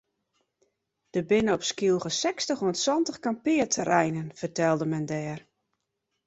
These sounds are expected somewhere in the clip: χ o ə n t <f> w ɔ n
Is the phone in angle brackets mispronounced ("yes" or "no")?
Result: yes